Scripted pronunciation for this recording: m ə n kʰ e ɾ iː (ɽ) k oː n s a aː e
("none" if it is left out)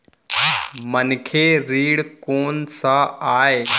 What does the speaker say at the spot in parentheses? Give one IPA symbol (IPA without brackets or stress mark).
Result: ɽ